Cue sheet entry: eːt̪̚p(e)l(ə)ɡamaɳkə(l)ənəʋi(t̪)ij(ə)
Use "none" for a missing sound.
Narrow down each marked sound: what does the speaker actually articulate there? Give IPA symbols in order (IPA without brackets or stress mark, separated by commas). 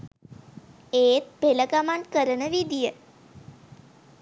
e, ə, ɾ, d̪, ə